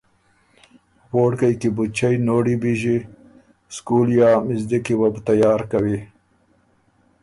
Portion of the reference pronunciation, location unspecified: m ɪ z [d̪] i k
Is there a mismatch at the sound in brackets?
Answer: no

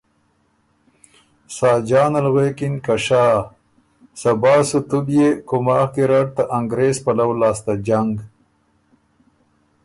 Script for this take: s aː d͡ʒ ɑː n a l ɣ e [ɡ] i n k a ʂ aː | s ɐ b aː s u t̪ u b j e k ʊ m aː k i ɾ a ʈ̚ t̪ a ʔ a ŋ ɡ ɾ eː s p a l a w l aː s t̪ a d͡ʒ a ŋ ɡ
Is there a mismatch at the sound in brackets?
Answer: yes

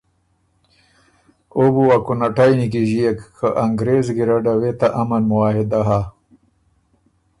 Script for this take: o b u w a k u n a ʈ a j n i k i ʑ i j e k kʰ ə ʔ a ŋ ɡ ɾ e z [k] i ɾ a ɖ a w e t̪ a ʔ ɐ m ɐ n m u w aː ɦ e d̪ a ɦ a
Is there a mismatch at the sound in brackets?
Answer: yes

